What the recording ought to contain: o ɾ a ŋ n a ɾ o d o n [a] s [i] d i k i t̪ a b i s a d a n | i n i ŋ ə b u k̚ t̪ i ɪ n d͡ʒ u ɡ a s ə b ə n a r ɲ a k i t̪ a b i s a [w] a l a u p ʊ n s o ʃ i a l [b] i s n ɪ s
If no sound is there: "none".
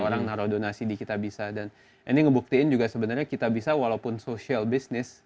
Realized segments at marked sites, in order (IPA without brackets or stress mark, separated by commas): a, i, w, b